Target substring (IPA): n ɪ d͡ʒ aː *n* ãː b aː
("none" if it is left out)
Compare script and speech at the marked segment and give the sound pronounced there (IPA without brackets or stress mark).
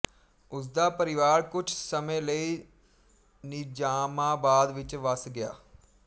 m